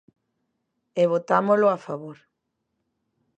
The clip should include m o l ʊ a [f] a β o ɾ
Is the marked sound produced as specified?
yes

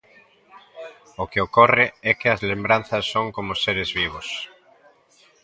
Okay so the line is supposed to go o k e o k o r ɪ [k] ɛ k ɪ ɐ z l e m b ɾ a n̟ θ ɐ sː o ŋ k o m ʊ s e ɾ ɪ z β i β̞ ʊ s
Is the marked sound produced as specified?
no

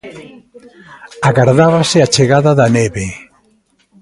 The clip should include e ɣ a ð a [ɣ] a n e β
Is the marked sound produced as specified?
no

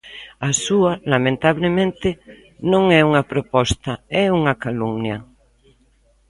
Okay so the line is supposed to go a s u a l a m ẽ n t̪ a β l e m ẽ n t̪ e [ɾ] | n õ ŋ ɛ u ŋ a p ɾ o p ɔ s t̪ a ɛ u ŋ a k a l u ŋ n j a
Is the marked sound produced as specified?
no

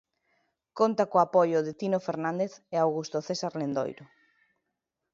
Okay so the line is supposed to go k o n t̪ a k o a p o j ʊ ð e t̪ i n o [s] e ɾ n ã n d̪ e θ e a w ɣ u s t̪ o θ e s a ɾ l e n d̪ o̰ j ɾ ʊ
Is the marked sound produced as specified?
no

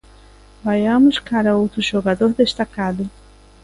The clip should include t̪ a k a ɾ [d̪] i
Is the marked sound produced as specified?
yes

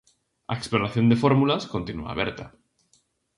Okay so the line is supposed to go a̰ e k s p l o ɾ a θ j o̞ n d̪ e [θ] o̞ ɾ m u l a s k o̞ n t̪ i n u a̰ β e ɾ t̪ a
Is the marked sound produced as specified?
no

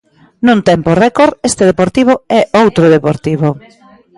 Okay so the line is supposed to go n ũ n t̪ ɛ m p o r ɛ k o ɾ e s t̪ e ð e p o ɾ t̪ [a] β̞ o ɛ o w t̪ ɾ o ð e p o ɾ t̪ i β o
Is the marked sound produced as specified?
no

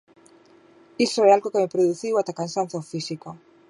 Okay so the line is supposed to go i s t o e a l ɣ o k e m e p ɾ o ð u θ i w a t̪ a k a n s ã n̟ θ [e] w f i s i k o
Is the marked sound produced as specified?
no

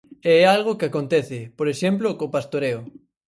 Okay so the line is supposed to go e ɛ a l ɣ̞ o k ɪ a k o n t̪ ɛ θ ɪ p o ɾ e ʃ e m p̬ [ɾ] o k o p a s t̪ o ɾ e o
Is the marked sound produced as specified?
no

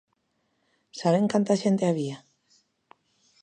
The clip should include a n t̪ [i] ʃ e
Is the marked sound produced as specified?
no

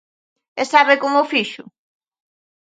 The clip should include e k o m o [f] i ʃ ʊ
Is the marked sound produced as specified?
yes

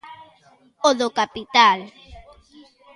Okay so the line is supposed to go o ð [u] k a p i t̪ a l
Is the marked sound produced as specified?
no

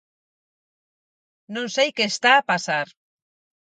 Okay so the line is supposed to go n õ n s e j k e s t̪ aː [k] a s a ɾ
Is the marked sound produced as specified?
no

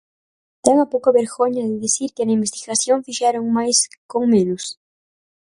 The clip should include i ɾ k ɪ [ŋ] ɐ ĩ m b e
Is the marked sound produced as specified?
no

